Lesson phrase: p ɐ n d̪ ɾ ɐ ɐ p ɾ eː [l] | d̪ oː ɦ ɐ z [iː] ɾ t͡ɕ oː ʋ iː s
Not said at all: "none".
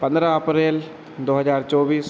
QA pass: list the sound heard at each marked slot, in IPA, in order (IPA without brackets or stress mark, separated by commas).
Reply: l, aː